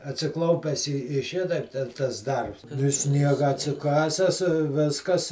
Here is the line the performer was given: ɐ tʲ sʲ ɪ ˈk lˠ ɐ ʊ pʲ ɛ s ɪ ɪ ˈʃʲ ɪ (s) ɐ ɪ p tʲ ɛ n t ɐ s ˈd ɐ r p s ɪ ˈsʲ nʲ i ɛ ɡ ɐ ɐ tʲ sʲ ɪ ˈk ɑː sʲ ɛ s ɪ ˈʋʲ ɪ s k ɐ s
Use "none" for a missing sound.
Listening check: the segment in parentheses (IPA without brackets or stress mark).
t